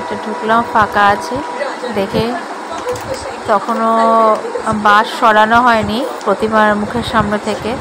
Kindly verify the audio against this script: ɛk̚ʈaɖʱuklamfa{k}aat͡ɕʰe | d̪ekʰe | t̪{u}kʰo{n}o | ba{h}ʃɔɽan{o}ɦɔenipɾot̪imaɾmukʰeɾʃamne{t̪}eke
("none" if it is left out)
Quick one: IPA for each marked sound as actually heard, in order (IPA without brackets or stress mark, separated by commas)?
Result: k, ɔ, n, ʃ, o, t̪ʰ